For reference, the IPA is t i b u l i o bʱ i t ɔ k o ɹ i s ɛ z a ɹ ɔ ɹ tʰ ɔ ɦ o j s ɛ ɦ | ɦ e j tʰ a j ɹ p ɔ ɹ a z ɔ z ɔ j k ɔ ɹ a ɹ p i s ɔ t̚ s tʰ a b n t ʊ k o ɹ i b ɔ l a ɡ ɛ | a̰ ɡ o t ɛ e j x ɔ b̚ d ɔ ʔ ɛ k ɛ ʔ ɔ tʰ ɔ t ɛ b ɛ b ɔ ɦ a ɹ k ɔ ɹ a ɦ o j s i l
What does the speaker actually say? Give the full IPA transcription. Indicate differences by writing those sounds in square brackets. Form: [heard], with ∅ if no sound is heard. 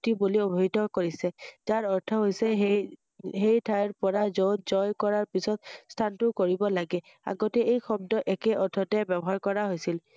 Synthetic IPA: t i b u l i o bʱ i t ɔ k o ɹ i s ɛ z a ɹ ɔ ɹ tʰ ɔ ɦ o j s ɛ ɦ | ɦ e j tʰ a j ɹ p ɔ ɹ a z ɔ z ɔ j k ɔ ɹ a ɹ p i s ɔ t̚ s tʰ a [∅] n t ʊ k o ɹ i b ɔ l a ɡ ɛ | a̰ ɡ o t ɛ e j x ɔ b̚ d ɔ ʔ ɛ k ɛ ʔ ɔ tʰ ɔ t ɛ b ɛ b ɔ ɦ a ɹ k ɔ ɹ a ɦ o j s i l

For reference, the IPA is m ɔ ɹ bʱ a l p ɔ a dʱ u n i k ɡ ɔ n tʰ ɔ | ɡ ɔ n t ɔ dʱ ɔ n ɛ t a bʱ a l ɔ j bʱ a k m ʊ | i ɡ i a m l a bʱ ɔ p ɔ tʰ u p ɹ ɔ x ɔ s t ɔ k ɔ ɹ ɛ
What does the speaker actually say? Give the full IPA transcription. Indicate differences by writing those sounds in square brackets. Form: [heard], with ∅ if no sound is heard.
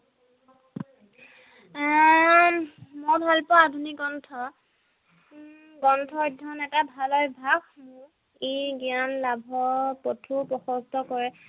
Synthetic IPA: m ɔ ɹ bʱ a l p ɔ a dʱ u n i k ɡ ɔ n tʰ ɔ | ɡ ɔ n [tʰ] ɔ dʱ ɔ n ɛ t a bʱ a l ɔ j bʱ a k m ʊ | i ɡ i a [n] l a bʱ ɔ p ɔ tʰ u p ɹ ɔ x ɔ s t ɔ k ɔ ɹ ɛ

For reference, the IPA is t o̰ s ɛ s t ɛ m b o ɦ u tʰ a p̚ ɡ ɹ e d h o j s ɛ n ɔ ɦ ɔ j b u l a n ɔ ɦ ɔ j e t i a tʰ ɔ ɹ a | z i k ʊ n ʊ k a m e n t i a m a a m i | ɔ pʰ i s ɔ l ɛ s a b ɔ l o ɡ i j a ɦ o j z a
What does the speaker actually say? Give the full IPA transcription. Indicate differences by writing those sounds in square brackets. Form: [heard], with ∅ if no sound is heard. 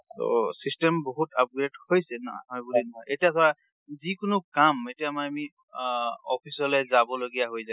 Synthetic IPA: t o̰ s [i] s t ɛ m b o ɦ u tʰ a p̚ ɡ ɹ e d h o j s ɛ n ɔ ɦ ɔ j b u l [i] n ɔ ɦ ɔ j e t i a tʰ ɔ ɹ a | z i k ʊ n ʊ k a m e [∅] t i a m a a m i | ɔ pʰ i s ɔ l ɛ [z] a b ɔ l o ɡ i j a ɦ o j z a

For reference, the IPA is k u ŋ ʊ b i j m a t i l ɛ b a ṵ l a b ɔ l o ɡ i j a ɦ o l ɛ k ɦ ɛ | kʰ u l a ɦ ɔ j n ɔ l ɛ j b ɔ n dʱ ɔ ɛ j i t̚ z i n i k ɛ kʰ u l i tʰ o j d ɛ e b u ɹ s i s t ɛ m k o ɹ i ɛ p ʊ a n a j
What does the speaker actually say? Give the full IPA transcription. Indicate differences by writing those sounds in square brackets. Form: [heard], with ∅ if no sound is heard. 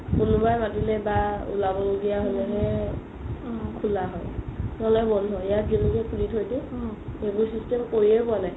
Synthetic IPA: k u [n] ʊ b [a] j m a t i l ɛ b a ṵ l a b ɔ l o ɡ i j a ɦ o l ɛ [∅] ɦ ɛ | kʰ u l a ɦ ɔ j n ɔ l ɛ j b ɔ n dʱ ɔ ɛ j [a] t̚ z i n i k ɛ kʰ u l i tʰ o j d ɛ e b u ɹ s i s t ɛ m k o ɹ i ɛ p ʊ a n a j

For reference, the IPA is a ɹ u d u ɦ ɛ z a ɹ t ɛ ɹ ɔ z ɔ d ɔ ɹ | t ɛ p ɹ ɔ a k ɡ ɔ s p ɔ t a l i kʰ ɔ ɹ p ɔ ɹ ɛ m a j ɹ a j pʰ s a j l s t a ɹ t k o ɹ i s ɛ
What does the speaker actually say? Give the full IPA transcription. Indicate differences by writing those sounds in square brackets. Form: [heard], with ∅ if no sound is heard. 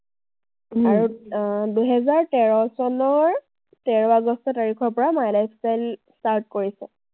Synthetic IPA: a ɹ u d u ɦ ɛ z a ɹ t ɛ ɹ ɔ [s] ɔ [n] ɔ ɹ | t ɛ [∅] ɹ ɔ a [∅] ɡ ɔ s [t] ɔ t a [ɹ] i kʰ ɔ ɹ p ɔ ɹ [a] m a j [l] a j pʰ s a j l s t a ɹ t k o ɹ i s ɛ

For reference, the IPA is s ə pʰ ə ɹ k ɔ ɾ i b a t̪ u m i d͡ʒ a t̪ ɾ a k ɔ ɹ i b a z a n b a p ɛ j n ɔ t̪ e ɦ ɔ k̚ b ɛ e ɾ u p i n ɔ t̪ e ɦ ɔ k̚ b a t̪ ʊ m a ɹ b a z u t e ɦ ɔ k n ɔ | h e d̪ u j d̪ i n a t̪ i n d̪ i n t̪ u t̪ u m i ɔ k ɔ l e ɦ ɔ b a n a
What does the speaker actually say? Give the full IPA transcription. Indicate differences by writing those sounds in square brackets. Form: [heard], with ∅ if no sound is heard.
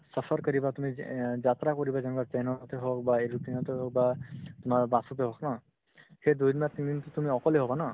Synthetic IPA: s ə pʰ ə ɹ k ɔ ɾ i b a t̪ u m i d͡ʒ a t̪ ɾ a k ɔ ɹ i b a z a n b a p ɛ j n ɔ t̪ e ɦ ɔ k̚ b [a] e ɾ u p i n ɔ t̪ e ɦ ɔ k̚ b a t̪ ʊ m a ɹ b a [s] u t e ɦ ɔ k n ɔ | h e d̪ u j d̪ i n a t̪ i n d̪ i n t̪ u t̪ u m i ɔ k ɔ l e ɦ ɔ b a n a

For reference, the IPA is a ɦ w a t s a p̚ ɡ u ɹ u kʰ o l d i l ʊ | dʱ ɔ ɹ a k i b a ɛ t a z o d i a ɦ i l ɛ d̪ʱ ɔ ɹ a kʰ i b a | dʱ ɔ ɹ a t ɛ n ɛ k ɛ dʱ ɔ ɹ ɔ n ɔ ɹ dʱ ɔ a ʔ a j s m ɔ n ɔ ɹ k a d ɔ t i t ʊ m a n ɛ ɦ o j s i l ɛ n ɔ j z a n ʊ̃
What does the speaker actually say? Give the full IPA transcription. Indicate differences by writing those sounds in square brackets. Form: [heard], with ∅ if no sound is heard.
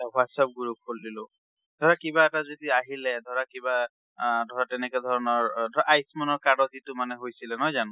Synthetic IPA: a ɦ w a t s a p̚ ɡ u ɹ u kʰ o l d i l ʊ | dʱ ɔ ɹ a k i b a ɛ t a z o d i a ɦ i l ɛ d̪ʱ ɔ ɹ a [k] i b a | dʱ ɔ ɹ a t ɛ n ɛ k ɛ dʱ ɔ ɹ ɔ n ɔ ɹ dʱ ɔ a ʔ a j s m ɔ n ɔ ɹ k a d ɔ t i t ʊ m a n ɛ ɦ o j s i l ɛ n ɔ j z a n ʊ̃

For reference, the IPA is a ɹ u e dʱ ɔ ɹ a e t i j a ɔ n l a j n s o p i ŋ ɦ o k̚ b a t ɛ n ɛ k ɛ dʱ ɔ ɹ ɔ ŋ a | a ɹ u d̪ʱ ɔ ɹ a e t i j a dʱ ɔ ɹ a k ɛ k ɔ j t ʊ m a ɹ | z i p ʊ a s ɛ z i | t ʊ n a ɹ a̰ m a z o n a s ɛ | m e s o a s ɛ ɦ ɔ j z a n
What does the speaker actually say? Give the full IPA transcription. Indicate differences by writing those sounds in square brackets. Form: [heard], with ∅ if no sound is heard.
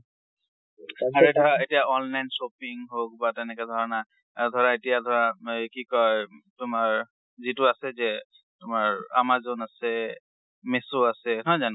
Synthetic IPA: a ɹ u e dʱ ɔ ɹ a e t i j a ɔ n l a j n s o p i ŋ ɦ o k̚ b a t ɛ n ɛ k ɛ dʱ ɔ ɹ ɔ [n] a | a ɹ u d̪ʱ ɔ ɹ a e t i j a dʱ ɔ ɹ a k [i] k ɔ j t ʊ m a ɹ | z i [t] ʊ a s ɛ z [ɛ] | t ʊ [m] a ɹ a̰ m a z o n a s ɛ | m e s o a s ɛ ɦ ɔ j z a n

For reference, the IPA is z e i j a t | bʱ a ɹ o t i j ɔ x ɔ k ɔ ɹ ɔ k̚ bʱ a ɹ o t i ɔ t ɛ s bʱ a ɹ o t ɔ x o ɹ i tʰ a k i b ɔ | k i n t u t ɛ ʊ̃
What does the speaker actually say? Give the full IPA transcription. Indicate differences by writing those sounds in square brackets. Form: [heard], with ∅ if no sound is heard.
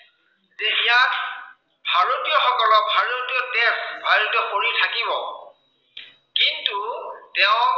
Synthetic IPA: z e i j a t | bʱ a ɹ o t i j ɔ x ɔ k ɔ [l] ɔ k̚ bʱ a ɹ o t i ɔ t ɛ s bʱ a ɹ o t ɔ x o ɹ i tʰ a k i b ɔ | k i n t u t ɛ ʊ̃

